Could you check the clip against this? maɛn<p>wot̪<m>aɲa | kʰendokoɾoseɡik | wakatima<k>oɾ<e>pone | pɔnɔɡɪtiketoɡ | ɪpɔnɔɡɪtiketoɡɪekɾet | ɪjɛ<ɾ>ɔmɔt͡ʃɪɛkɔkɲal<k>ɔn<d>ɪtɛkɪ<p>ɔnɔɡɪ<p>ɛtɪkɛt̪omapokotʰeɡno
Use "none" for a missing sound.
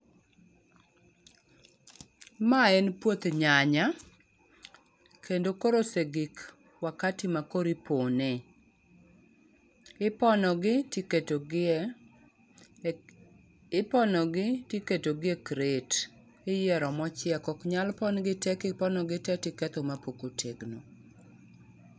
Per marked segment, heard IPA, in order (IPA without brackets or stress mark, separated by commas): p, ɲ, k, i, ɾ, p, ɡ, p, t